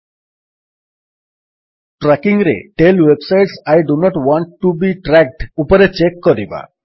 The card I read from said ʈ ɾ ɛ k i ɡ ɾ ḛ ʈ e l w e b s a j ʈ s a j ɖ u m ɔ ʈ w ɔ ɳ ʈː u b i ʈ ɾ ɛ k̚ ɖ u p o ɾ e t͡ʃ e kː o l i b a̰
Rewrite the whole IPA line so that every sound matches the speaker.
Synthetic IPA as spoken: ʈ ɾ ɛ k i ŋ ɾ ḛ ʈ e l w e b s a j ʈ s a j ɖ u n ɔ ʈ w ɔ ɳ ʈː u b i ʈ ɾ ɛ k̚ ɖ u p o ɾ e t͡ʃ e kː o ɾ i b a̰

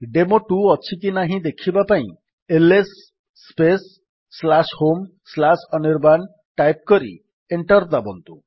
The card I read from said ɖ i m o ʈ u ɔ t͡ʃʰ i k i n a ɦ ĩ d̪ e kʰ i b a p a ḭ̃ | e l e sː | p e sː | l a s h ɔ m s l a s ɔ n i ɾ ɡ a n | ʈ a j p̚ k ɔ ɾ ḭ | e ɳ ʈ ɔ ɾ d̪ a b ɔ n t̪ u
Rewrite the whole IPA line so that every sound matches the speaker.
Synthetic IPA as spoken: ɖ e m o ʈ u ɔ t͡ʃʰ i k i n a ɦ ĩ d̪ e kʰ i b a p a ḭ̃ | e l e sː | p e sː | l a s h o m s l a s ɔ n i ɾ b a n | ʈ a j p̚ k ɔ ɾ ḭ | e ɳ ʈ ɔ ɾ d̪ a b ɔ n t̪ u

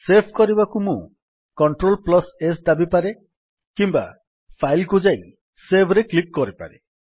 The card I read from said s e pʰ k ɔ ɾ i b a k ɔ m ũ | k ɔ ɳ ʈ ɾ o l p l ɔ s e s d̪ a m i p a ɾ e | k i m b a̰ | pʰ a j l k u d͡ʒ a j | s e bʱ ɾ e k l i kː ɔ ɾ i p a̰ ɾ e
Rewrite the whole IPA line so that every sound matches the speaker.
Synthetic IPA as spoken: s e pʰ k ɔ ɾ i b a k u m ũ | k ɔ ɳ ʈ ɾ o l p l ɔ s e s d̪ a b i p a ɾ e | k i m b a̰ | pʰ a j l k u d͡ʒ a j | s e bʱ ɾ e k l i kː ɔ ɾ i p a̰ ɾ e

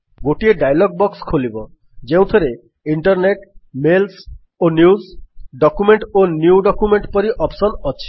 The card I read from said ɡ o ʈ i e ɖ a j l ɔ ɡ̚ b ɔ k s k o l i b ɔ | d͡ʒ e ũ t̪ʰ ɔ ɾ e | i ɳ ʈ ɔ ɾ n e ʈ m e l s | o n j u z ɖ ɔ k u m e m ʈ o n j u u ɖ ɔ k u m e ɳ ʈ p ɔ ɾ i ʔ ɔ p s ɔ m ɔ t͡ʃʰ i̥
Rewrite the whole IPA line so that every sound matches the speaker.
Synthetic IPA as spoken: ɡ o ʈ i e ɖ a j l ɔ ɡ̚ b ɔ k s kʰ o l i b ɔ | d͡ʒ e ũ t̪ʰ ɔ ɾ e | i ɳ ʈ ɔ ɾ n e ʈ m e l s | o n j u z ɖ ɔ k u m e ɳ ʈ o n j u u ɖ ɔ k u m e ɳ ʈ p ɔ ɾ i ʔ ɔ p s ɔ n ɔ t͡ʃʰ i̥

